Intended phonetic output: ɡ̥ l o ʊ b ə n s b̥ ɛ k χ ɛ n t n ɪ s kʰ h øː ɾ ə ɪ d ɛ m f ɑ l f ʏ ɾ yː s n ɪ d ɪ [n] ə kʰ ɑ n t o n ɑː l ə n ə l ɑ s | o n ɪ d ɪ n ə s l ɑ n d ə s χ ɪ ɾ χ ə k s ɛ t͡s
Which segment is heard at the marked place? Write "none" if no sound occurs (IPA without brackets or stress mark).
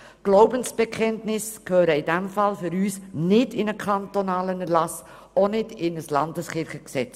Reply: n